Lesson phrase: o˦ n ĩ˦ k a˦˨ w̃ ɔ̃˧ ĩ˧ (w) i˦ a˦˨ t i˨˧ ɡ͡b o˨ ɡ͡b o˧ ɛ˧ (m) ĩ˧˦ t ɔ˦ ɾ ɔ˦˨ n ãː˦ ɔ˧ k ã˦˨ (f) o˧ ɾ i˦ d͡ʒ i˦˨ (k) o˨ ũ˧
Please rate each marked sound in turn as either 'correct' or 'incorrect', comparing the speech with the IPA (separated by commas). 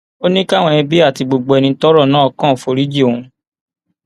incorrect, incorrect, correct, incorrect